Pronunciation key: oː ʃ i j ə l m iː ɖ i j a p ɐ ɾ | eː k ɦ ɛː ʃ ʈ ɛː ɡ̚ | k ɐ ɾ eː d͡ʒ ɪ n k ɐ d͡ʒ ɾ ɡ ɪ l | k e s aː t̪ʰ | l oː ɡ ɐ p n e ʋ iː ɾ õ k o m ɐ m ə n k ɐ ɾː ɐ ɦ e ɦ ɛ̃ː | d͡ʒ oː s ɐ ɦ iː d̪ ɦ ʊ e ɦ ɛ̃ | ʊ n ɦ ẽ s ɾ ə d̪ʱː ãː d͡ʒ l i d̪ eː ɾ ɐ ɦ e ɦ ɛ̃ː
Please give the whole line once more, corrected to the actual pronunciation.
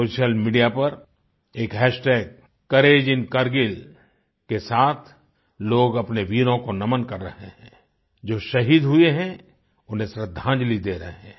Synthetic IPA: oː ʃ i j ə l m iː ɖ i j a p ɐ ɾ | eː k ɦ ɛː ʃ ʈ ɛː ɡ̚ | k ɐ ɾ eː d͡ʒ ɪ n k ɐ ɾ ɡ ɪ l | k e s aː t̪ʰ | l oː ɡ ɐ p n e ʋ iː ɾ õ k o n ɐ m ə n k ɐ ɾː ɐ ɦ e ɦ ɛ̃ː | d͡ʒ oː ʃ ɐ ɦ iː d̪ ɦ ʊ e ɦ ɛ̃ | ʊ n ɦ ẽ s ɾ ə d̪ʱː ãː d͡ʒ l i d̪ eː ɾ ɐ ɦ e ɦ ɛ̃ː

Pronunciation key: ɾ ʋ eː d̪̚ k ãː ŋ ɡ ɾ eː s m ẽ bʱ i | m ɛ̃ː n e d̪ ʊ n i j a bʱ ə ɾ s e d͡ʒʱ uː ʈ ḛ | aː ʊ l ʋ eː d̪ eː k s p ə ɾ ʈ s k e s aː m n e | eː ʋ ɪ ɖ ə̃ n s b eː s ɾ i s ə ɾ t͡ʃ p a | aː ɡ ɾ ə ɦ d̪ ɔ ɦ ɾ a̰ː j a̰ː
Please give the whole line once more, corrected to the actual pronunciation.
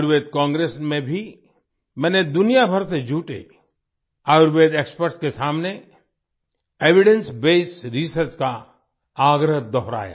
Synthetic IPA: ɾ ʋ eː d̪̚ k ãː ŋ ɡ ɾ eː s m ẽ bʱ i | m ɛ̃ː n e d̪ ʊ n i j a bʱ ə ɾ s e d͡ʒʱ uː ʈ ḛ | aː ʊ ɾ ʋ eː d̪ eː k s p ə ɾ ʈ s k e s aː m n e | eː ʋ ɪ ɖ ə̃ n s b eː s ɾ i s ə ɾ t͡ʃ k a | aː ɡ ɾ ə ɦ d̪ ɔ ɦ ɾ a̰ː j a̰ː

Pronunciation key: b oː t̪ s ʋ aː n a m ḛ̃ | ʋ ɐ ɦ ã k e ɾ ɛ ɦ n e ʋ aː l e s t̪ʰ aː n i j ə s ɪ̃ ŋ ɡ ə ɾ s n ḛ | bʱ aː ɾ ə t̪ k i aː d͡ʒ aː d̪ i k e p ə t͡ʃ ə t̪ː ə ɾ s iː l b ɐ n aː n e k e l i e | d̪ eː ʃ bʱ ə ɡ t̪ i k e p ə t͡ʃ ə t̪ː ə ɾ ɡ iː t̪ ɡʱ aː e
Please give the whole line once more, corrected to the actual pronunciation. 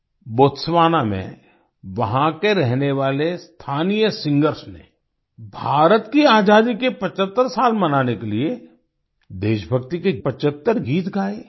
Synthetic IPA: b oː t̪ s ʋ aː n a m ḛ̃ | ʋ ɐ ɦ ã k e ɾ ɛ ɦ n e ʋ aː l e s t̪ʰ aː n i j ə s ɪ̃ ŋ ɡ ə ɾ s n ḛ | bʱ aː ɾ ə t̪ k i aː d͡ʒ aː d̪ i k e p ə t͡ʃ ə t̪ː ə ɾ s aː l m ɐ n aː n e k e l i e | d̪ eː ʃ bʱ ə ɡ t̪ i k e p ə t͡ʃ ə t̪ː ə ɾ ɡ iː t̪ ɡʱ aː e

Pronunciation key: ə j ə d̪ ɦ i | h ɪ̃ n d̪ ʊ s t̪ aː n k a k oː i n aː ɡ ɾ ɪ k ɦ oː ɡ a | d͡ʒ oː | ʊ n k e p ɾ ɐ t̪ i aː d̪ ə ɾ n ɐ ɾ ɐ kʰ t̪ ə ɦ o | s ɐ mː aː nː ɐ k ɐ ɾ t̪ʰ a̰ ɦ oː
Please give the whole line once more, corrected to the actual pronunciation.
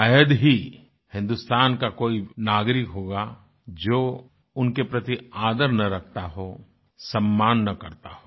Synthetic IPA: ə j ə d̪ ɦ i | h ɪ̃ n d̪ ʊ s t̪ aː n k a k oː i n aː ɡ ɾ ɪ k ɦ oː ɡ a | d͡ʒ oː | ʊ n k e p ɾ ɐ t̪ i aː d̪ ə ɾ n ɐ ɾ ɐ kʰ t̪ a ɦ o | s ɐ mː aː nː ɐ k ɐ ɾ t̪ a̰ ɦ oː

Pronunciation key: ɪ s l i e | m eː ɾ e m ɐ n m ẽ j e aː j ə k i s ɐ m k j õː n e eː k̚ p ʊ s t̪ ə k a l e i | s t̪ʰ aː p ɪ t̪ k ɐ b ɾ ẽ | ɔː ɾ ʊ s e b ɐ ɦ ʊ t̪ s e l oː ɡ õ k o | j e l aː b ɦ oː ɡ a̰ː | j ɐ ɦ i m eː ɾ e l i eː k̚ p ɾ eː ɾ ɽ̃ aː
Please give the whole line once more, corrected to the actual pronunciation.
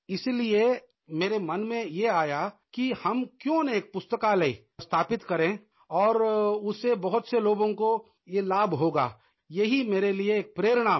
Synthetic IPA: ɪ s l i e | m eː ɾ e m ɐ n m ẽ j e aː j a k i h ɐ m k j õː n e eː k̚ p ʊ s t̪ ə k a l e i | s t̪ʰ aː p ɪ t̪ k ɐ ɾ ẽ | ɔː ɾ ʊ s e b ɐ ɦ ʊ t̪ s e l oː ɡ õ k o | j e l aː b ɦ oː ɡ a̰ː | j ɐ ɦ i m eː ɾ e l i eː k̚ p ɾ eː ɾ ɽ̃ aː

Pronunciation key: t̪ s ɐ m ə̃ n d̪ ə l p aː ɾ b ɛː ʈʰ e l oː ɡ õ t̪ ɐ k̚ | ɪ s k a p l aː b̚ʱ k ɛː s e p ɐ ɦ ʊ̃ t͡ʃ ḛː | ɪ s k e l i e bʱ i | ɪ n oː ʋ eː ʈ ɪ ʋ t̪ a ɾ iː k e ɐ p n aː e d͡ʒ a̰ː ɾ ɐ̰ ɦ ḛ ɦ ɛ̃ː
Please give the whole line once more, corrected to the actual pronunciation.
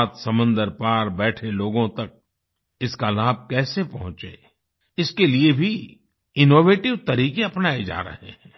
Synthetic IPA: t̪ s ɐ m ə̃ n d̪ ə ɾ p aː ɾ b ɛː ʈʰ e l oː ɡ õ t̪ ɐ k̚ | ɪ s k a l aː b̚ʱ k ɛː s e p ɐ ɦ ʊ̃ t͡ʃ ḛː | ɪ s k e l i e bʱ i | ɪ n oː ʋ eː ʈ ɪ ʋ t̪ ɐ ɾ iː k e ɐ p n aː e d͡ʒ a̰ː ɾ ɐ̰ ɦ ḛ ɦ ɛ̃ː

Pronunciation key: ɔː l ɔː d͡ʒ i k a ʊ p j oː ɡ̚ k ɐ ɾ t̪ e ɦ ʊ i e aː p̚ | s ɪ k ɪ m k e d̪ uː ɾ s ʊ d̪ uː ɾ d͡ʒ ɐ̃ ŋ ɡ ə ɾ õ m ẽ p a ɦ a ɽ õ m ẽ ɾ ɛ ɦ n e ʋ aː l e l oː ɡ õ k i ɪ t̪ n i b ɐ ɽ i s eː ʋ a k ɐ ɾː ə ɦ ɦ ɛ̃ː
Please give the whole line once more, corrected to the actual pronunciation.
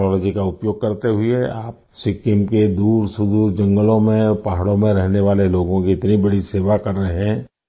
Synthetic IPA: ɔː l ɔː d͡ʒ i k a ʊ p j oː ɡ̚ k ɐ ɾ t̪ e ɦ ʊ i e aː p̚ | s ɪ k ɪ m k e d̪ uː ɾ s ʊ d̪ uː ɾ d͡ʒ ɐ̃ ŋ ɡ ə l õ m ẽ p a ɦ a ɽ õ m ẽ ɾ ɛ ɦ n e ʋ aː l e l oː ɡ õ k i ɪ t̪ n i b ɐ ɽ i s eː ʋ a k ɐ ɾː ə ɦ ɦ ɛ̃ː

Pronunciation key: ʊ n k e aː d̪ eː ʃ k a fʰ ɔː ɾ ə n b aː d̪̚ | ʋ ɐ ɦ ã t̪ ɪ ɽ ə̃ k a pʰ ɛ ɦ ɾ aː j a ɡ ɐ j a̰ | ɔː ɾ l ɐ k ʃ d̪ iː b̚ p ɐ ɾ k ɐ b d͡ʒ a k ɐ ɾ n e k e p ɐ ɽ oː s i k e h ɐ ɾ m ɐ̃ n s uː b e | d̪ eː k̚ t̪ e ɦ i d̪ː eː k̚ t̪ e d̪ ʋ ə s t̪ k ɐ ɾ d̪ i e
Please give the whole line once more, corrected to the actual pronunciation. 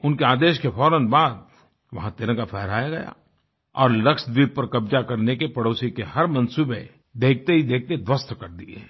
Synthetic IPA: ʊ n k e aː d̪ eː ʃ k e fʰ ɔː ɾ ə n b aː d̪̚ | ʋ ɐ ɦ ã t̪ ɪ ɾ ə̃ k a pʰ ɛ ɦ ɾ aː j a ɡ ɐ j a̰ | ɔː ɾ l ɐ k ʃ d̪ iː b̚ p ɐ ɾ k ɐ b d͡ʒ a k ɐ ɾ n e k e p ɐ ɽ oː s i k e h ɐ ɾ m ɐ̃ n s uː b e | d̪ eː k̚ t̪ e ɦ i d̪ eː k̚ t̪ e d̪ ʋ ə s t̪ k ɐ ɾ d̪ i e

